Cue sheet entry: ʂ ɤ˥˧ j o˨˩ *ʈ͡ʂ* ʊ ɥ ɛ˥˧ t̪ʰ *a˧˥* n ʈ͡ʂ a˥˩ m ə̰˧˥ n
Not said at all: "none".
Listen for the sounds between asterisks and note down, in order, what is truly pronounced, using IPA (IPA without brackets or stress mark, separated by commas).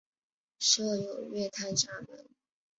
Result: none, a˥˧